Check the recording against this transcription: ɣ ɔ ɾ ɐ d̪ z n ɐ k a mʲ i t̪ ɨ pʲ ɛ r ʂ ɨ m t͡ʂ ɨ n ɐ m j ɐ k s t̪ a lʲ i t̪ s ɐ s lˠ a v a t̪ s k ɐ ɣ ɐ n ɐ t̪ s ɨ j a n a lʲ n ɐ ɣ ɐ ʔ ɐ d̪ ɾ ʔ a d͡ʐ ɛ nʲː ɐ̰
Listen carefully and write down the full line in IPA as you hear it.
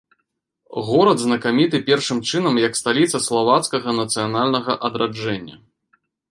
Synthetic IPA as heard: ɣ ɔ ɾ ɐ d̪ z n ɐ k a mʲ i t̪ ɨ pʲ ɛ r ʂ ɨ m t͡ʂ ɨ n ɐ m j ɐ k s t̪ a lʲ i t̪ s ɐ s lˠ a v a t̪ s k ɐ ɣ ɐ n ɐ t̪ s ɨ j a n a lʲ n ɐ ɣ ɐ ʔ ɐ d̪ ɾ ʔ a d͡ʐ ɛ nʲː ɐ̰